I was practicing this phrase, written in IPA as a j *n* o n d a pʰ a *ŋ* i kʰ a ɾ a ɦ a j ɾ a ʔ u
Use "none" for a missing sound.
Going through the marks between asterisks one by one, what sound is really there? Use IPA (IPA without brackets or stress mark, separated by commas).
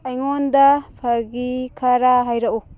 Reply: ŋ, ɡ